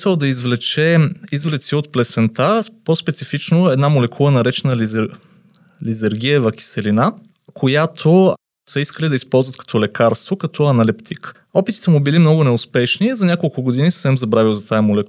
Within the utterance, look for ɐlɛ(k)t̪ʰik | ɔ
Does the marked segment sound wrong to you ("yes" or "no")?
yes